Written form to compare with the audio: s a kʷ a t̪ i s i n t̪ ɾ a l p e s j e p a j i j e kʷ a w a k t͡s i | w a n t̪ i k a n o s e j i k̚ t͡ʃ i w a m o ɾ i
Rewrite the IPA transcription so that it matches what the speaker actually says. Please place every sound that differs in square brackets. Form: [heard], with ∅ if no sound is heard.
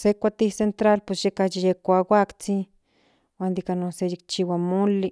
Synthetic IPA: s [e] kʷ a t̪ i s [e] n t̪ ɾ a l p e s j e [k] a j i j e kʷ a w a k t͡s i | w a n [d̪] i k a n o s e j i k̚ t͡ʃ i w a m o [l] i